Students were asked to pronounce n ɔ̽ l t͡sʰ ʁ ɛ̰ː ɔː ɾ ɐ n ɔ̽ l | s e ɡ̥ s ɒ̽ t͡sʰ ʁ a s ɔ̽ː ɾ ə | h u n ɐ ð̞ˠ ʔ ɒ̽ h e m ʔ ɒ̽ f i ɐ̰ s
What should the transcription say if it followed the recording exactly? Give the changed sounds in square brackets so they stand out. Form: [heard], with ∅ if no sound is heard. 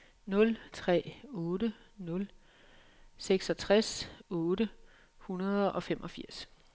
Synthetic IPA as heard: n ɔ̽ l t͡sʰ ʁ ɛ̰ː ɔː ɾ [ə] n ɔ̽ l | s e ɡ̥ s ɒ̽ t͡sʰ ʁ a s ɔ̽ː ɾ ə | h u n ɐ ð̞ˠ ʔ ɒ̽ [f] e m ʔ ɒ̽ f i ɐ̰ s